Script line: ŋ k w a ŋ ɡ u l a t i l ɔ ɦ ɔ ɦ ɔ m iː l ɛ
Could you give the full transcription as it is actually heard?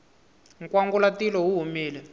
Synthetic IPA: ŋ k w a ŋ ɡ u l a t i l ɔ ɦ u ɦ u m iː l ɛ